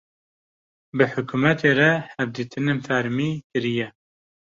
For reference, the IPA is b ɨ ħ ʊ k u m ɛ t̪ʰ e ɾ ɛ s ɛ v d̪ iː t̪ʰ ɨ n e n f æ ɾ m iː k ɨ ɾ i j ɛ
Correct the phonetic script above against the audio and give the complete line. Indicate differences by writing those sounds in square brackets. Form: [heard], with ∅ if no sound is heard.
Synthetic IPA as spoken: b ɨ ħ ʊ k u m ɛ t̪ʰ e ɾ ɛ [h] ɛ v d̪ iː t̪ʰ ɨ n e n f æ ɾ m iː k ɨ ɾ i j ɛ